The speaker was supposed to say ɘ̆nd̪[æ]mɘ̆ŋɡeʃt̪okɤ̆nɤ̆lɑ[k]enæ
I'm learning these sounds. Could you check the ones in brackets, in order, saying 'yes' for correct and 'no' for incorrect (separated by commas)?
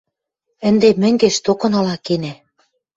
no, yes